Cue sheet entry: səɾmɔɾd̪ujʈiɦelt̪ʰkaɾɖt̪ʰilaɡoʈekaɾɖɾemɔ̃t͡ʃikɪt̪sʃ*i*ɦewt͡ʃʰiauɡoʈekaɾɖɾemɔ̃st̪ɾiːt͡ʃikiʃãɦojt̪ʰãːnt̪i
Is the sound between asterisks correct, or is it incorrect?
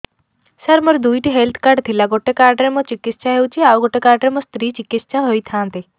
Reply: incorrect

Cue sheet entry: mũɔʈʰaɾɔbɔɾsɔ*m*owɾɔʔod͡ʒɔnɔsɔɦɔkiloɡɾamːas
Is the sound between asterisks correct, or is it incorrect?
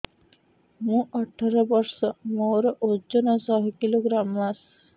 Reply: correct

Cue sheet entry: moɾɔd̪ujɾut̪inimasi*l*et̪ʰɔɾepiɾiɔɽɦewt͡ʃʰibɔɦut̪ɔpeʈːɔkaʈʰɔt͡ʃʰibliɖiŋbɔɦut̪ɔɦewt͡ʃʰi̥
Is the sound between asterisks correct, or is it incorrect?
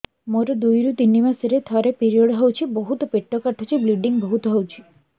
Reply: incorrect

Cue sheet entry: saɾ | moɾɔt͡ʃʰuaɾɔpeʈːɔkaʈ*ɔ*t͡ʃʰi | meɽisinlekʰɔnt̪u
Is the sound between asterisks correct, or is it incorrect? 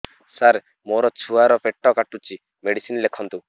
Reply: incorrect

